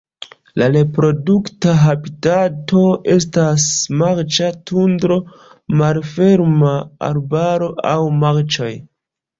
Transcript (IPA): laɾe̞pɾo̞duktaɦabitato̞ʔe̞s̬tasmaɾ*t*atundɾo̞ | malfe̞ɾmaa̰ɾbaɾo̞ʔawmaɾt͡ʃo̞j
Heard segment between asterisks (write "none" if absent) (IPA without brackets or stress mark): t͡ʃ